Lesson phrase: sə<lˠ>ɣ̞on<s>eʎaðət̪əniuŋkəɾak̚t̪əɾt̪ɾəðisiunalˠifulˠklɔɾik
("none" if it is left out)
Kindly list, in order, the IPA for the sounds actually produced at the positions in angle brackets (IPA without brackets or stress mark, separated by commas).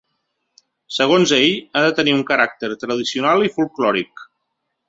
none, z